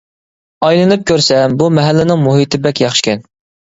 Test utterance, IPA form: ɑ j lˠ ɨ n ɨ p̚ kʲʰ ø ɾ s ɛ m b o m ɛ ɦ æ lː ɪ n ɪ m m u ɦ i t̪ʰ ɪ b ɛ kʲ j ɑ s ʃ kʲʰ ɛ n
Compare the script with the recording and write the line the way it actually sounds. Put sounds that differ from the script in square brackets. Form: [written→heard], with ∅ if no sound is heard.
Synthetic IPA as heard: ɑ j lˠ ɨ n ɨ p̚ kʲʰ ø ɾ s ɛ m b [o→u] m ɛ ɦ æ lː ɪ n ɪ [m→ŋ] m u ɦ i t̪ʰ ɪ b ɛ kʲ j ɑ [s→χ] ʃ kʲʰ ɛ n

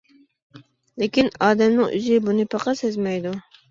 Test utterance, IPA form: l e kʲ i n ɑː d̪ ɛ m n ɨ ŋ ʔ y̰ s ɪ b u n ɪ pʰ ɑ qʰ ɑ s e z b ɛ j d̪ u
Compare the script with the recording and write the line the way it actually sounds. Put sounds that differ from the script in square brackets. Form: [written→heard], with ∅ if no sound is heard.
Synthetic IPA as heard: l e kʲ i n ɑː d̪ ɛ m n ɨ ŋ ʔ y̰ [s→z] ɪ b u n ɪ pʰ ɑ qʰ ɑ s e z [b→m] ɛ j d̪ u

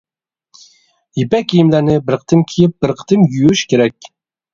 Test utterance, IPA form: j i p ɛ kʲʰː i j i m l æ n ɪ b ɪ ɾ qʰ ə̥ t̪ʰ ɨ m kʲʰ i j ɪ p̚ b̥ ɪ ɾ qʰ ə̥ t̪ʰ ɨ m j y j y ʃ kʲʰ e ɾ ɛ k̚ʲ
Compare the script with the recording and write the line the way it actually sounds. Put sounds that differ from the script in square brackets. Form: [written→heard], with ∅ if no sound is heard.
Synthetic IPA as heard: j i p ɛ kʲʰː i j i m l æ n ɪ b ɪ ɾ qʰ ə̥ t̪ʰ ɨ m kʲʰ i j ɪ p̚ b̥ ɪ ɾ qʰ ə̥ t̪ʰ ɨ m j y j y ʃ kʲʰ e ɾ ɛ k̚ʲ

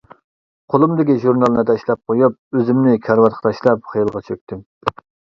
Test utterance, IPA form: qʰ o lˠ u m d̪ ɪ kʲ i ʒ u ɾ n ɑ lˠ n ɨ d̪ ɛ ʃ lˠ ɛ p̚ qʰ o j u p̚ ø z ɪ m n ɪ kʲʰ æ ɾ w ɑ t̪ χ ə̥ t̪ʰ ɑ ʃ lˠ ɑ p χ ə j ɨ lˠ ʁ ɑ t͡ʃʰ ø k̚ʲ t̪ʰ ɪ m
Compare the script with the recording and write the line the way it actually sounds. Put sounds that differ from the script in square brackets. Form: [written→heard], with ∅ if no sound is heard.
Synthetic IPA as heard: qʰ o lˠ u m d̪ ɪ kʲ i ʒ u ɾ n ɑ lˠ n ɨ d̪ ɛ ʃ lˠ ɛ p̚ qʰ o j u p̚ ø z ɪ m n ɪ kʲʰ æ ɾ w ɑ t̪ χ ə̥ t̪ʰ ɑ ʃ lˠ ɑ p χ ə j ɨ lˠ ʁ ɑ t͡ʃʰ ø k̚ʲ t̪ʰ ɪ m

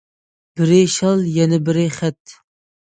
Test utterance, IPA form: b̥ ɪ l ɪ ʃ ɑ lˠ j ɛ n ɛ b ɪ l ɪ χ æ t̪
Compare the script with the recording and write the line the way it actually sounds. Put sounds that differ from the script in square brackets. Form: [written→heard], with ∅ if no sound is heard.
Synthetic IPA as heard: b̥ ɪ [l→ɾ] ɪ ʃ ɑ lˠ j ɛ n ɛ b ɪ [l→ɾ] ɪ χ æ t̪

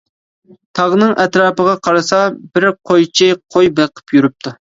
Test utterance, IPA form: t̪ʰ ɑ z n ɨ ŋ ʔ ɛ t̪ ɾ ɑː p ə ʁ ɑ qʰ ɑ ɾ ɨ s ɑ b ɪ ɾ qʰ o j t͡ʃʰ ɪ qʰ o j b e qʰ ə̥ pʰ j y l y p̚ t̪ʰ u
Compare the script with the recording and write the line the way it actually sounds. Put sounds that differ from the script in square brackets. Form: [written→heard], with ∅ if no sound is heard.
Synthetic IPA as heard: t̪ʰ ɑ [z→ʁ] n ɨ ŋ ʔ ɛ t̪ ɾ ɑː p ə ʁ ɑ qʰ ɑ ɾ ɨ s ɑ b ɪ ɾ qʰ o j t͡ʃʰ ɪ qʰ o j b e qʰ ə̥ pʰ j y [l→ɾ] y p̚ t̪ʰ u

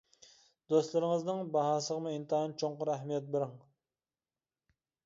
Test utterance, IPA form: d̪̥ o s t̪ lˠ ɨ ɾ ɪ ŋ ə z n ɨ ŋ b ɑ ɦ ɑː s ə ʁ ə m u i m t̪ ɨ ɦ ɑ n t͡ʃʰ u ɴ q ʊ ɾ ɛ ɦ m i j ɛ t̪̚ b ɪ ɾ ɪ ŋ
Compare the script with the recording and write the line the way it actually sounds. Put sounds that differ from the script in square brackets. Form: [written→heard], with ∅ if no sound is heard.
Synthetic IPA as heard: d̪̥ o s t̪ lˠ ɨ ɾ ɪ ŋ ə z n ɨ ŋ b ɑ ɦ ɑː s ə ʁ ə m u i [m→n] t̪ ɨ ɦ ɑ n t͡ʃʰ [u→o] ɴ q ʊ ɾ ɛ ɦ m i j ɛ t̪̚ b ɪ ɾ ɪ ŋ

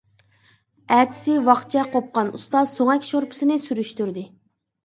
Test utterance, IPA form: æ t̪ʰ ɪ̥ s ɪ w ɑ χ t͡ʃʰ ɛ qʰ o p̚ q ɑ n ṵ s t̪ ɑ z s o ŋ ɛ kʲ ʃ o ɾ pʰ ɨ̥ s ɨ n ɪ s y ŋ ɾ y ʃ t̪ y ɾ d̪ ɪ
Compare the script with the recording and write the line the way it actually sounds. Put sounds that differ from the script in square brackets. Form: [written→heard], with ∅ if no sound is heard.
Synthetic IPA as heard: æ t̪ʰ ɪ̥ s ɪ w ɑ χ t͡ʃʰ ɛ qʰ o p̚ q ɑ n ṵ s t̪ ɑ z s o ŋ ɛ kʲ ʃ o ɾ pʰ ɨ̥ s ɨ n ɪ s y [ŋ→∅] ɾ y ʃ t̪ y ɾ d̪ ɪ

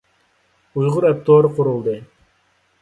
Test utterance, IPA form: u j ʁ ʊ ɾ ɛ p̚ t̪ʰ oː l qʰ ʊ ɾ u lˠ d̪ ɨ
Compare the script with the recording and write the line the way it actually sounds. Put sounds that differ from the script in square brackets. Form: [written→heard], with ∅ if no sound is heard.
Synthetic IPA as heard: u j ʁ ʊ ɾ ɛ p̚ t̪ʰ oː [l→ɾ] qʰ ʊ ɾ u lˠ d̪ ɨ

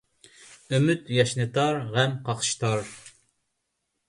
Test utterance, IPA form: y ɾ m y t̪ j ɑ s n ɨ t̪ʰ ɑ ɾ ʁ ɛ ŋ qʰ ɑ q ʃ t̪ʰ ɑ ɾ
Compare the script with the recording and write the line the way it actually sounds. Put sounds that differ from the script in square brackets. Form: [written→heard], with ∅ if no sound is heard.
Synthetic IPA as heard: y [ɾ→∅] m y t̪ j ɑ [s→ʃ] n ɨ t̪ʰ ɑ ɾ ʁ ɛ [ŋ→m] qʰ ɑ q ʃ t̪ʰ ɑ ɾ

